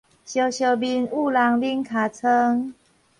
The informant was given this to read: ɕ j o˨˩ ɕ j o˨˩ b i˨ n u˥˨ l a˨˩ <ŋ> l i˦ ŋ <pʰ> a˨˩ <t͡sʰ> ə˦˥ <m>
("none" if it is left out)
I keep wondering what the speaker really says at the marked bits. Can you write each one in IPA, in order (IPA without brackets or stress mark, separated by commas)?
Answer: ŋ, kʰ, t͡sʰ, ŋ